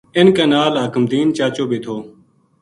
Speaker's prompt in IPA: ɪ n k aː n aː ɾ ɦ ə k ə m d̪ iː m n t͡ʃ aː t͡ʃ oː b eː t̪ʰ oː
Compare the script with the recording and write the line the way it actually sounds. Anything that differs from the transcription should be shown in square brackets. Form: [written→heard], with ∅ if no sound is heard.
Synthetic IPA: ɪ n k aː n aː [ɾ→l] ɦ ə k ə m d̪ iː [m→∅] n t͡ʃ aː t͡ʃ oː b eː t̪ʰ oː